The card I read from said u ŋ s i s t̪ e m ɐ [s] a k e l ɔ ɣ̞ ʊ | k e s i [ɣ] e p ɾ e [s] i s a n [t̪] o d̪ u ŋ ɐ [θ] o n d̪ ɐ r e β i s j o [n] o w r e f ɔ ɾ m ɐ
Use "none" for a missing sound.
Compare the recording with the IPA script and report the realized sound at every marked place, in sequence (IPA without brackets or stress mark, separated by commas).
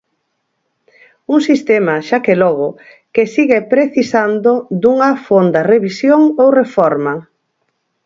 ʃ, ɣ, θ, d̪, f, ŋ